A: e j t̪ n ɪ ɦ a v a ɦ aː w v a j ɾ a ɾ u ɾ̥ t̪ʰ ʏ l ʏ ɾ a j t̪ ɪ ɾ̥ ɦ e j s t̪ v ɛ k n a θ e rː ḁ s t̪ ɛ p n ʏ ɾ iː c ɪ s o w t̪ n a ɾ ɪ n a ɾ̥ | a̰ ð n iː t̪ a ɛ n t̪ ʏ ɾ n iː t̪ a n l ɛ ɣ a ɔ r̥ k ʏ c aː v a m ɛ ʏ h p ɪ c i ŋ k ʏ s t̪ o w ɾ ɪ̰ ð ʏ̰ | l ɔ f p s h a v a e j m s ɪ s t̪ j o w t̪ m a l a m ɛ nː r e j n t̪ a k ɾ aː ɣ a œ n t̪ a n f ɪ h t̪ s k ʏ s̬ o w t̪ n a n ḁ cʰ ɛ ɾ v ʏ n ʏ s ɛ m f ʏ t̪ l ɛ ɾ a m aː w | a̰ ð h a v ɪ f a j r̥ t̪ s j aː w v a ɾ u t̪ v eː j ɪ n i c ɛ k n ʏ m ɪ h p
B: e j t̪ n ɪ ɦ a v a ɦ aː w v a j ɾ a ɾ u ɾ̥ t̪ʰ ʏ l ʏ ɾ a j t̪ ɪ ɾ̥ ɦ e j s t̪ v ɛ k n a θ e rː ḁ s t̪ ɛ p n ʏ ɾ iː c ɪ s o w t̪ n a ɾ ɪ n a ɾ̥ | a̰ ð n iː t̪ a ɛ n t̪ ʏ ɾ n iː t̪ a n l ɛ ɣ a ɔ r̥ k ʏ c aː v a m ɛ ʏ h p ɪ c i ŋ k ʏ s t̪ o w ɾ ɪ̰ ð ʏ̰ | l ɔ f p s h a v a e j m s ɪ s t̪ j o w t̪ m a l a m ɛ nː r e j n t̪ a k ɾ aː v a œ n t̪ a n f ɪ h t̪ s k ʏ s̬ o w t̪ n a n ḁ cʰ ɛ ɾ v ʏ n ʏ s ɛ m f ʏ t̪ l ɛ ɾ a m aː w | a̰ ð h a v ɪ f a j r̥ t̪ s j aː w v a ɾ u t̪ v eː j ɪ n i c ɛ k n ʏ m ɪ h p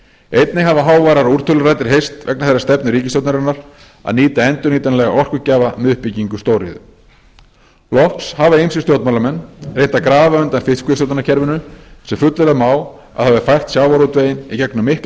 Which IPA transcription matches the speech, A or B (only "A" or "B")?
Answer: B